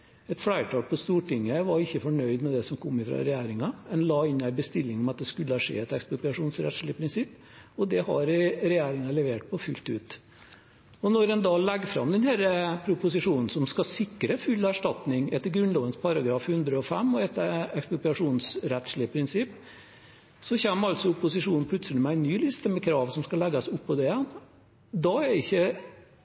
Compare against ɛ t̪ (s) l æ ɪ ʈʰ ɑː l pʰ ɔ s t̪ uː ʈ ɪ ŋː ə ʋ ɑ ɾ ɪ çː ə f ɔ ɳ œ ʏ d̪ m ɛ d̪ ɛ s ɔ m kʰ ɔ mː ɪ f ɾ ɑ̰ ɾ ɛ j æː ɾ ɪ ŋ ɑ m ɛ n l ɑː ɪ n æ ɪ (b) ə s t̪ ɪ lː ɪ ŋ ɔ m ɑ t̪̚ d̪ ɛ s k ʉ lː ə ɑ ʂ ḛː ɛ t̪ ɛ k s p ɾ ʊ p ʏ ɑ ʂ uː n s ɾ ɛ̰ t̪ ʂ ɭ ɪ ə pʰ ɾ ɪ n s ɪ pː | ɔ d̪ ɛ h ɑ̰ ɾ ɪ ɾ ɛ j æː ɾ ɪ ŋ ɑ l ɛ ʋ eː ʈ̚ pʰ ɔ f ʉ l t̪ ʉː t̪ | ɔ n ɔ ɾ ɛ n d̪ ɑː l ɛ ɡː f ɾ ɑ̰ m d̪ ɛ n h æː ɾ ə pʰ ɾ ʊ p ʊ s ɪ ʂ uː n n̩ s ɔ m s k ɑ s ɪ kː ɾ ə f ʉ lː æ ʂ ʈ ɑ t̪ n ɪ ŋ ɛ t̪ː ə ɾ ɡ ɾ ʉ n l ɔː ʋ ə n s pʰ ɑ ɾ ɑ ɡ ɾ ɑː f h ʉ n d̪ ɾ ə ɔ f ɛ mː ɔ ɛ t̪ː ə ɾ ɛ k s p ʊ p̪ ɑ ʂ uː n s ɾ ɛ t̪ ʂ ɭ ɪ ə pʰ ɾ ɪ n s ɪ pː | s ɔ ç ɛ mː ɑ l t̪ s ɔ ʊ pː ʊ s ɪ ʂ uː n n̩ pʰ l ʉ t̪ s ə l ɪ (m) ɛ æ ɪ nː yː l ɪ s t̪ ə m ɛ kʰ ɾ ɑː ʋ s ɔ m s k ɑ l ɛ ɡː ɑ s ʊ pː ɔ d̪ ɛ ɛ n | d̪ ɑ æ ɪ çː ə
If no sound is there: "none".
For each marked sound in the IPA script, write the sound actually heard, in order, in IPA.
f, b, m

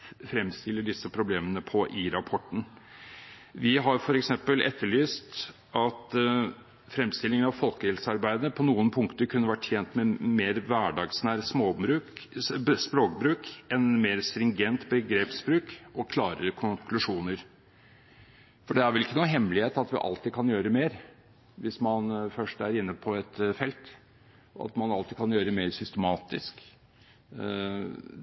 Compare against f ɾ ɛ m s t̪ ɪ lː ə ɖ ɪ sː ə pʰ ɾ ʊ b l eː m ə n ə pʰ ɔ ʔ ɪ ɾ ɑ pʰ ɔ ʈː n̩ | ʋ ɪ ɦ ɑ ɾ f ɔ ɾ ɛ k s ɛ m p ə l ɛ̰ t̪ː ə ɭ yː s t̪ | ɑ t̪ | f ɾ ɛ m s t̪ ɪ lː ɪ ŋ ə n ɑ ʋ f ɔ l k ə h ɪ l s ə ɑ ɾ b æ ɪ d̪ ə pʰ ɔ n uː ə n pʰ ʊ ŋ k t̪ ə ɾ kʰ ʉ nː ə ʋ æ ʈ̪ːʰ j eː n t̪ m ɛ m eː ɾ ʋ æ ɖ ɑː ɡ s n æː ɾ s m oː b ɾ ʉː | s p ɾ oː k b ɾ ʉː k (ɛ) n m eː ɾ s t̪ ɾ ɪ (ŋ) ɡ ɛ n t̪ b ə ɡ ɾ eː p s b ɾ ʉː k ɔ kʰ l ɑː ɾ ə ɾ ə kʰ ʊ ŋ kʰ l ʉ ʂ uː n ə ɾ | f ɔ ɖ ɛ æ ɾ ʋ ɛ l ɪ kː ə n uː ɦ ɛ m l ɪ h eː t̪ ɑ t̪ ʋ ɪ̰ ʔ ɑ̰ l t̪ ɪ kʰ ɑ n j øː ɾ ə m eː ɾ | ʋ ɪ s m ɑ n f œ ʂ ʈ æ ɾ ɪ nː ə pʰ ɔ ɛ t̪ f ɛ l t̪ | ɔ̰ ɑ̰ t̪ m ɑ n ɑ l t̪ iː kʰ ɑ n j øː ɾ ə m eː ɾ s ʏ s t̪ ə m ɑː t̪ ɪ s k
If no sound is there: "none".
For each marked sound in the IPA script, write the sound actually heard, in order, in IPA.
ɛ, ŋ

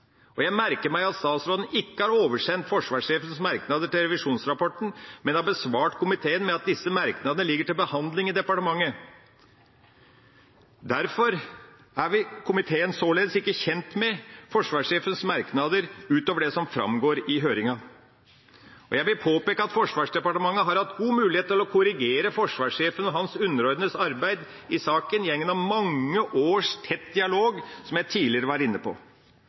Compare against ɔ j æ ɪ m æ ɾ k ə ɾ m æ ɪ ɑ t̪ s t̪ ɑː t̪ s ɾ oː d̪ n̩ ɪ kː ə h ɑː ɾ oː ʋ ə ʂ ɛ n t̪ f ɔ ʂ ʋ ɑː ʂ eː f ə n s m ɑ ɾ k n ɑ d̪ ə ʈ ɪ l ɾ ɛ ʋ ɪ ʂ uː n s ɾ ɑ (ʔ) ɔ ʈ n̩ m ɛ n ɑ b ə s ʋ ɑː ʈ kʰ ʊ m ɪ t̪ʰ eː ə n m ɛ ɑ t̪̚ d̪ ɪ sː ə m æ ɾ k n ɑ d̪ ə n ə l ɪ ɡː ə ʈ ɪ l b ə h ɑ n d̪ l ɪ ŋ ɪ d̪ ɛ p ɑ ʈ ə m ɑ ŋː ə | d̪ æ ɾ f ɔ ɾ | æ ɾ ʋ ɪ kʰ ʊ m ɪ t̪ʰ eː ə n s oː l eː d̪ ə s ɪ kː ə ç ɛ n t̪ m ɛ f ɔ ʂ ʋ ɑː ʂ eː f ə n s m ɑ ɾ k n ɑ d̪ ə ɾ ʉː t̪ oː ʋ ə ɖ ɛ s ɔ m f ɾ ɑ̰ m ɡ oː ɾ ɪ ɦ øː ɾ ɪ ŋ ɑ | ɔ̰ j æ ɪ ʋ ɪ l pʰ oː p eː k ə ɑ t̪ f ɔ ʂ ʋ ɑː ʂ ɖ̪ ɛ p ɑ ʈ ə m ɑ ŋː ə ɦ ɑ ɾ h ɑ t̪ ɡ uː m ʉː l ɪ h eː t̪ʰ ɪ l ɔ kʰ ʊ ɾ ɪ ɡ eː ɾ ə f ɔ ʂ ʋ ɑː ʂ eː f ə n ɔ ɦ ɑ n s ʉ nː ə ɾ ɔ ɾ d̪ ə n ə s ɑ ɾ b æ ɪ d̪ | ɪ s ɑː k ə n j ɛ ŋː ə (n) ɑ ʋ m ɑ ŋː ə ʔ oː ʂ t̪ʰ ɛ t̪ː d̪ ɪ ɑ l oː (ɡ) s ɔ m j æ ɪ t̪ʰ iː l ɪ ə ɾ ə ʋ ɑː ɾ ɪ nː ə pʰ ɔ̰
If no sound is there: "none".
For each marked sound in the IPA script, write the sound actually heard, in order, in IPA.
p, n, ɡ

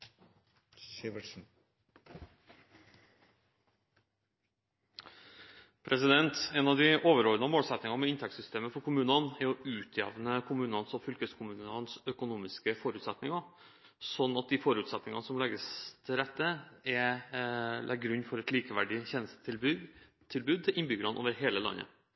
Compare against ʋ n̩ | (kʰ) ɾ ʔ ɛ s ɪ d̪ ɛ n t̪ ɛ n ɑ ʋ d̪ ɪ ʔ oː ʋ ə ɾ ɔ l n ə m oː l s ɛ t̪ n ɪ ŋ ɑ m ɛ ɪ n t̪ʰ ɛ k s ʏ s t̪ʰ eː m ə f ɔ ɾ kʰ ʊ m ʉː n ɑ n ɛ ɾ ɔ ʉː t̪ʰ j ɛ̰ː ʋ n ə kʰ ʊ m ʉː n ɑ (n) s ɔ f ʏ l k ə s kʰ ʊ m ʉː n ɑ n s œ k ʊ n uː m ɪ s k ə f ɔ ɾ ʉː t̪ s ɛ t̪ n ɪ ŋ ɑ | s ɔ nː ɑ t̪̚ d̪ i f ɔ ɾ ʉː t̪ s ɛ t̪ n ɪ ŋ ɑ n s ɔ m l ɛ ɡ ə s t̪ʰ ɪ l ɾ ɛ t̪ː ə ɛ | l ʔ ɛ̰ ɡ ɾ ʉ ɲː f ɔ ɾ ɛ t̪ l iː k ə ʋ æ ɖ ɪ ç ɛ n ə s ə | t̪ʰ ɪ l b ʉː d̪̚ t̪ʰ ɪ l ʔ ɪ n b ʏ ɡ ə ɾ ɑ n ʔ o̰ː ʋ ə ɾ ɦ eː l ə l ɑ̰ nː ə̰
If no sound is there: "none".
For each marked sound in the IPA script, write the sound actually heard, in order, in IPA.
pʰ, n

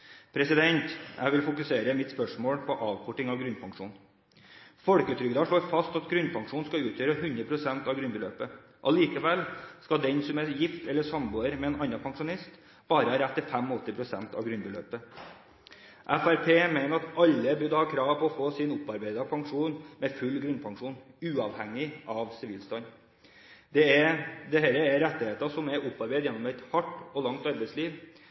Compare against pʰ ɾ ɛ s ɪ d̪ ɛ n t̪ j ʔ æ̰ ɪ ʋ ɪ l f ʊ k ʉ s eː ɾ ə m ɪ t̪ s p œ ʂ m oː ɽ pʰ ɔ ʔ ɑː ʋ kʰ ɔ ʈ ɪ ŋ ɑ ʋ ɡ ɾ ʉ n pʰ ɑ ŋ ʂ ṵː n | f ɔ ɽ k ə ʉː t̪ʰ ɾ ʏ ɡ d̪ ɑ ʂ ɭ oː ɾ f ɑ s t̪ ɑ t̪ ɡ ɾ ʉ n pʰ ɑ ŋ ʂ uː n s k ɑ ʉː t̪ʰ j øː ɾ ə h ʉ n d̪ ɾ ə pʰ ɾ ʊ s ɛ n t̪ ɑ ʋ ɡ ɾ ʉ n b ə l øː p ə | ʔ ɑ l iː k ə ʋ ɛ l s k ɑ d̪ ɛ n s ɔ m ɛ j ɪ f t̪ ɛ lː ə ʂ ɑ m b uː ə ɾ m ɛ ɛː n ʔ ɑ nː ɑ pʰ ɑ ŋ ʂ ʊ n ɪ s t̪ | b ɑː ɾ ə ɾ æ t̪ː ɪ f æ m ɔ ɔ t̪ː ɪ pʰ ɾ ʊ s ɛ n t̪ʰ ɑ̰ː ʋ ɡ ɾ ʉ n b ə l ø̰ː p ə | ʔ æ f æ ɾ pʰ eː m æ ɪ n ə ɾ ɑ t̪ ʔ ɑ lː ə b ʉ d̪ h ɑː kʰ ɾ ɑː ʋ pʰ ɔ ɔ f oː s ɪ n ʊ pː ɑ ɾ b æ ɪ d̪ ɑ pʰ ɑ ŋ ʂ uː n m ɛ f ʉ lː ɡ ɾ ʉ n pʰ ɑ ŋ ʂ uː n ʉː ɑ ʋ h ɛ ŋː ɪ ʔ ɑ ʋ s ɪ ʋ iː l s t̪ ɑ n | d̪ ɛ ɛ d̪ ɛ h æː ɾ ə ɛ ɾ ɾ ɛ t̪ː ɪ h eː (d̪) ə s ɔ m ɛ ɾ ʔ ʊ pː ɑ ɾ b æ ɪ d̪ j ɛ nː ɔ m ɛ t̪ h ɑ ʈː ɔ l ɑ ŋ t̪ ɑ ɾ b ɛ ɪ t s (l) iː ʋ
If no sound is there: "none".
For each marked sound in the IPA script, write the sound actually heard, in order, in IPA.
t̪, l

